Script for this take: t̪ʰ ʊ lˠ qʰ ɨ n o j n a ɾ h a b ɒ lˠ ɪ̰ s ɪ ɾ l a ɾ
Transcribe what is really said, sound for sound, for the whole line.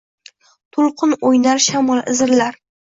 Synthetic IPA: t̪ʰ ʊ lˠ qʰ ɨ n o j n a ɾ ʃ a m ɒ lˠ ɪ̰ z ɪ ɾ l a ɾ